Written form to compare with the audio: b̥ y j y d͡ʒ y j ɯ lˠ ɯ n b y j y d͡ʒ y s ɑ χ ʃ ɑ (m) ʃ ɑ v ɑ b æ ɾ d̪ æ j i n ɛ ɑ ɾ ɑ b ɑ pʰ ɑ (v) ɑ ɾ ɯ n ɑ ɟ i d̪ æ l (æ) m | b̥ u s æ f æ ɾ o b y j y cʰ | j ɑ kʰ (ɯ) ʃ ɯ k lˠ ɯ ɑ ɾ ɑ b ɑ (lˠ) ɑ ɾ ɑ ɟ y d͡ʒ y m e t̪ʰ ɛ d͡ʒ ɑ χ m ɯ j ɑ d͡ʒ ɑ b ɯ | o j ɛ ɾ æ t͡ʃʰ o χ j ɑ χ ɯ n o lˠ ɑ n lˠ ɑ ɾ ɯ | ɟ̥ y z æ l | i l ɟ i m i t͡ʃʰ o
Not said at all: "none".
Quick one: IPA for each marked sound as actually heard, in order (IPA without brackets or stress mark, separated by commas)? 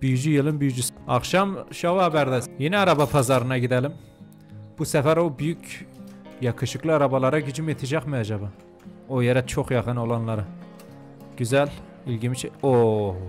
m, z, i, ɯ, lˠ